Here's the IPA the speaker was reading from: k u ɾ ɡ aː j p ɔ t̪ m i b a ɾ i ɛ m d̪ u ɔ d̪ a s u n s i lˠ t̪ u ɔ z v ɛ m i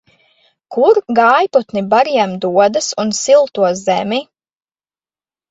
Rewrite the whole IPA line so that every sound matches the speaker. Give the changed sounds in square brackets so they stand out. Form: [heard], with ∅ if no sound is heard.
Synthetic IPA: k u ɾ ɡ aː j p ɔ t̪ [n] i b a ɾ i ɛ m d̪ u ɔ d̪ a s u n s i lˠ t̪ u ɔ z [z] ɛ m i